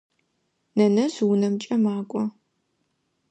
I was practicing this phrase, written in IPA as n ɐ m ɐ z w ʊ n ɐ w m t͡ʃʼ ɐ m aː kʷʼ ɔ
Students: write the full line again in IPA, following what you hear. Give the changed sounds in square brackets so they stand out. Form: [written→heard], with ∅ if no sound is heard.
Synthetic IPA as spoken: n ɐ [m→n] ɐ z w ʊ n ɐ [w→∅] m t͡ʃʼ ɐ m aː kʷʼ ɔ